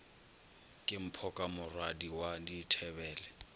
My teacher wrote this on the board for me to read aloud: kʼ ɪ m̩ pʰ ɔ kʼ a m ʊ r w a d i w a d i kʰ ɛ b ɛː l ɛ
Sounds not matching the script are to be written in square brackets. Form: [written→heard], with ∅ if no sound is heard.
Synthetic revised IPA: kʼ ɪ m̩ pʰ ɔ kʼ a m ʊ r w a d i w a d i [kʰ→tʰ] ɛ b ɛː l ɛ